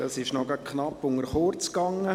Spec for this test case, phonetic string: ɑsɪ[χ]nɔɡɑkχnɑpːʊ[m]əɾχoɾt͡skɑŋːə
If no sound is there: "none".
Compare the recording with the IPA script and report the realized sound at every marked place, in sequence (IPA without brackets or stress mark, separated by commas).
ʃ, ŋ